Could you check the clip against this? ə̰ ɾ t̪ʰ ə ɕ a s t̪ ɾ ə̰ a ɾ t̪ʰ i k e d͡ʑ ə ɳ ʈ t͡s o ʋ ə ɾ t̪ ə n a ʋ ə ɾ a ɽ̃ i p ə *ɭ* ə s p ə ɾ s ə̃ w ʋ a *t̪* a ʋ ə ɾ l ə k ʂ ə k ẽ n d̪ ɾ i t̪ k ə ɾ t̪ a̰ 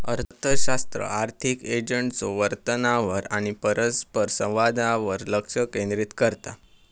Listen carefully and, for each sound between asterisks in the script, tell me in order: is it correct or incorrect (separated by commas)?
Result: incorrect, incorrect